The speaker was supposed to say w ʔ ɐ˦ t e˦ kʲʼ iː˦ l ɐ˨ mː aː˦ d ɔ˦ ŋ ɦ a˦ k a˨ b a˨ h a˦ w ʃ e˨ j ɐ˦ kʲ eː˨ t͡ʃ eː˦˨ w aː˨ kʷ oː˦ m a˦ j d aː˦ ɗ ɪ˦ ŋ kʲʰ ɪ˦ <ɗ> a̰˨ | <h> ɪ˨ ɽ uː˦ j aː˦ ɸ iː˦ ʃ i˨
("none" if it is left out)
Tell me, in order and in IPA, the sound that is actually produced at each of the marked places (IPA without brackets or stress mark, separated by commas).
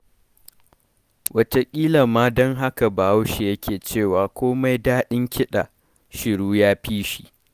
ɗ, ʃ